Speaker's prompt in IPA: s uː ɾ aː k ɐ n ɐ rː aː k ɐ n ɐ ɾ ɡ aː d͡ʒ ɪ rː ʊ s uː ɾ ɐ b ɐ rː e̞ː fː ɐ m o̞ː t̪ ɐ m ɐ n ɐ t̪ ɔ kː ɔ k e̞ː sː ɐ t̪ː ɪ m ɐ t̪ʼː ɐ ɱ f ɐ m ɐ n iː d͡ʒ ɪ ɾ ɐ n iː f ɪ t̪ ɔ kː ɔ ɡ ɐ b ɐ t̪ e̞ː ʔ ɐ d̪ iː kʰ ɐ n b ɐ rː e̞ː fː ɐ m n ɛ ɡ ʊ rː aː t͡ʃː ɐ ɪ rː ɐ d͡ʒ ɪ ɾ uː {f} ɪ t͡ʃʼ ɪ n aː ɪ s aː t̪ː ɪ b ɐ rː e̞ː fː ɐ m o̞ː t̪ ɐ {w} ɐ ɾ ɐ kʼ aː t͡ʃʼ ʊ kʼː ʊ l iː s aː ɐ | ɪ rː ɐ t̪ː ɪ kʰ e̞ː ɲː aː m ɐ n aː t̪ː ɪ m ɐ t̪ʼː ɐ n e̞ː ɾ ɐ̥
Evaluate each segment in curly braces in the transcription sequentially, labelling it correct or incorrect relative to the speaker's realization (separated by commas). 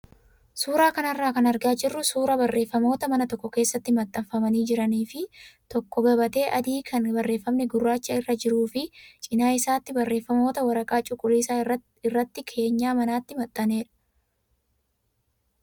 correct, correct